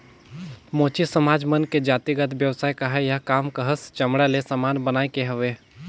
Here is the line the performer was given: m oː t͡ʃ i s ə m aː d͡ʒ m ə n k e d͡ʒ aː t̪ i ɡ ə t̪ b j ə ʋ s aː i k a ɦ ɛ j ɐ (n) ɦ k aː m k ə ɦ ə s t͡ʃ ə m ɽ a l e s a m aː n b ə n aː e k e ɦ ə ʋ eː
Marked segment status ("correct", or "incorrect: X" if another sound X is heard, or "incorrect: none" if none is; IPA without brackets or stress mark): incorrect: none